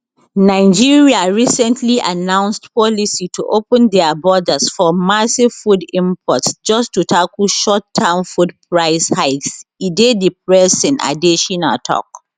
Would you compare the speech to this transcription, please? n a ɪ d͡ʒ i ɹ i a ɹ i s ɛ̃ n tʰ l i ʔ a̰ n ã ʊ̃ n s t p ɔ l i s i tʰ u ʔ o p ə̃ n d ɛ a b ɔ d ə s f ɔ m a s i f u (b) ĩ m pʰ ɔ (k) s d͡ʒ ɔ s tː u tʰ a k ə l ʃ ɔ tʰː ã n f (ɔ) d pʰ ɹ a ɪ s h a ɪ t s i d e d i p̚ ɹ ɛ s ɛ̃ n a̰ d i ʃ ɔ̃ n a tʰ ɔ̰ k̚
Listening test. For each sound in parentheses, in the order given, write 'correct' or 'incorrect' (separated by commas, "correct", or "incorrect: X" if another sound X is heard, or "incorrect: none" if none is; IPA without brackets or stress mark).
incorrect: d, incorrect: t, incorrect: u